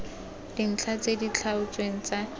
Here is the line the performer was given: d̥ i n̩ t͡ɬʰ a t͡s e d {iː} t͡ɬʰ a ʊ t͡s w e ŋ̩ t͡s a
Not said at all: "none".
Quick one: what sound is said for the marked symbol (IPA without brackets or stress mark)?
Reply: i